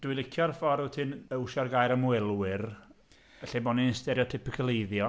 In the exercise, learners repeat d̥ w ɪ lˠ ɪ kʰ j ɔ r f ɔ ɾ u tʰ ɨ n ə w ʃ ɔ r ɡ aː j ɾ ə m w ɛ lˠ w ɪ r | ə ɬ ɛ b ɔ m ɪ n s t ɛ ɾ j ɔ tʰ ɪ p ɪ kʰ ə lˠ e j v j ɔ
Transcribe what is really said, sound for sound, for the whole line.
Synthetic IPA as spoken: d̥ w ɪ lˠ ɪ kʰ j ɔ r f ɔ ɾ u tʰ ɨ n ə w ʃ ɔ r ɡ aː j ɾ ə m w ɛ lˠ w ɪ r | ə ɬ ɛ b ɔ n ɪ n s t ɛ ɾ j ɔ tʰ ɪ p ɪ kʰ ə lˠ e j ð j ɔ

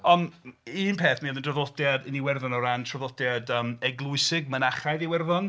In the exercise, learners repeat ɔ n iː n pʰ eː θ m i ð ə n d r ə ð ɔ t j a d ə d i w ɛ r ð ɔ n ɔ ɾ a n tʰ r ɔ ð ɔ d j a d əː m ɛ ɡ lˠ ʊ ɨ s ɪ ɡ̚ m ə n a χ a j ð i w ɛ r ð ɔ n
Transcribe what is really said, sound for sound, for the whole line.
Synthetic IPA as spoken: ɔ n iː n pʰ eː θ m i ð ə n d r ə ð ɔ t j a d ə n i w ɛ r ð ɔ n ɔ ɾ a n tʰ r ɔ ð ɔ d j a d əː m ɛ ɡ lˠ ʊ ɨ s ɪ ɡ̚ m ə n a χ a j ð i w ɛ r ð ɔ n

